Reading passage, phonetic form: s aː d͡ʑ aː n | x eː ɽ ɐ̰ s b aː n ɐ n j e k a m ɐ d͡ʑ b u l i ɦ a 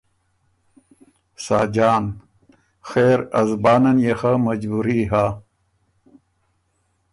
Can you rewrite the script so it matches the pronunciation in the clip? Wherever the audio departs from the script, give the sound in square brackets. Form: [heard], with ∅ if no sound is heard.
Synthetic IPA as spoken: s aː d͡ʑ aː n | x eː [ɾ] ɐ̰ [z] b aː n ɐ n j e [x] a m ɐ d͡ʑ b u [ɾ] i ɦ a